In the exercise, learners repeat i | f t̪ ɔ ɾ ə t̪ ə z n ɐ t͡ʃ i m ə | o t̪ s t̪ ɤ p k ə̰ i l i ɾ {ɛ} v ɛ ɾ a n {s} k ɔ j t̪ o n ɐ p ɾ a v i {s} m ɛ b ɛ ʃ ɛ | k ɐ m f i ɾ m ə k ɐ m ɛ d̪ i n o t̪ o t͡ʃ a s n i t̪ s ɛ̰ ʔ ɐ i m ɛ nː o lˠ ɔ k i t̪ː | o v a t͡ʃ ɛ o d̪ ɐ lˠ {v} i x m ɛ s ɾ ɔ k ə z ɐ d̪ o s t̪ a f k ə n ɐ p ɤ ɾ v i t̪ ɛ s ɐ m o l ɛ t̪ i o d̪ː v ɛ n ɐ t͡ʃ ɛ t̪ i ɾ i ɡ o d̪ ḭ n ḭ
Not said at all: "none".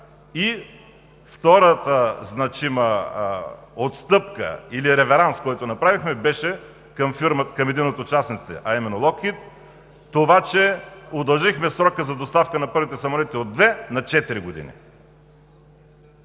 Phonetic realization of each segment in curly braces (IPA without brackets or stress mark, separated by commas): ɛ, s, x, ʒ